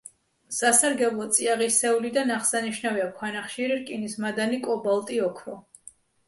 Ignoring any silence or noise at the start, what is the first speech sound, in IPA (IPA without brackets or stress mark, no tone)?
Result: s